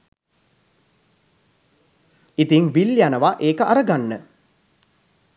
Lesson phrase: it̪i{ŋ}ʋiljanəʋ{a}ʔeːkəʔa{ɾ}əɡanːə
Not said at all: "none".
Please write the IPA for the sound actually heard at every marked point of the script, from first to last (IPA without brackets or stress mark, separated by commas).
ŋ, a, ɾ